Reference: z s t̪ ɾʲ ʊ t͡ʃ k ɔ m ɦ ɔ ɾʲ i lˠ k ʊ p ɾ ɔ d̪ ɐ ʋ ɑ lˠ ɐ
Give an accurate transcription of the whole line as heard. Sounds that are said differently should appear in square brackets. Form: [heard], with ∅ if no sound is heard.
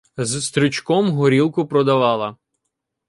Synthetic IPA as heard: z s t̪ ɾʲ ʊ t͡ʃ k ɔ m ɦ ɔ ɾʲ i lˠ k ʊ p ɾ ɔ d̪ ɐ ʋ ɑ lˠ ɐ